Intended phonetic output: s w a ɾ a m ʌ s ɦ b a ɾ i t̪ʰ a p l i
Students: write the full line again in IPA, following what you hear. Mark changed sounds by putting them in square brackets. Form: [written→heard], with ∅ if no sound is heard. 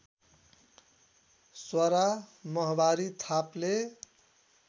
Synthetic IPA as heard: s w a ɾ a m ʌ [s→∅] ɦ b a ɾ i t̪ʰ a p l [i→e]